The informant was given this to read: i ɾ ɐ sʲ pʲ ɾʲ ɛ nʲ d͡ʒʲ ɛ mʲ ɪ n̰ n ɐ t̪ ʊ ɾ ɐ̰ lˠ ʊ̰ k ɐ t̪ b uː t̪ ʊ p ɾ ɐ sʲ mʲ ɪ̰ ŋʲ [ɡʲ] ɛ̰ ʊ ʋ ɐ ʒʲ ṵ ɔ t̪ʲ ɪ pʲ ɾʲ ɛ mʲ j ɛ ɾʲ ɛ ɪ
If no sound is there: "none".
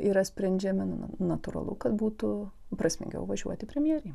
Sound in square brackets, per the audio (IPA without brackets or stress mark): ɡʲ